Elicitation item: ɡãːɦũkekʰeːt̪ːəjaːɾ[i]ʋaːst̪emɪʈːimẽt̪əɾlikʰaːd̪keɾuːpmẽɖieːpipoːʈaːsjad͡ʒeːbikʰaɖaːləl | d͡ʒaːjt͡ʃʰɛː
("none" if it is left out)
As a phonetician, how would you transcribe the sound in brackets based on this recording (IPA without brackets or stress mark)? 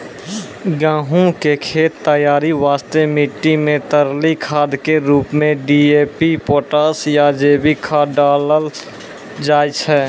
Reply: i